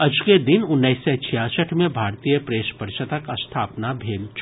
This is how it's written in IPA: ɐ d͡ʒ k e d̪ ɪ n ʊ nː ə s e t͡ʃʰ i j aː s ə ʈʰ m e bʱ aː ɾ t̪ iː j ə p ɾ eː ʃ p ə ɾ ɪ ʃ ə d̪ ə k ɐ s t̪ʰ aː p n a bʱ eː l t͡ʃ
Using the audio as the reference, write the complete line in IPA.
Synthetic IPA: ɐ d͡ʒ k e d̪ ɪ n ʊ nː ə s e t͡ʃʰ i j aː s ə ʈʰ m ẽ bʱ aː ɾ t̪ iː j ə p ɾ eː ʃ p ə ɾ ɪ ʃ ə t̪ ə k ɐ s t̪ʰ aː p n a bʱ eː l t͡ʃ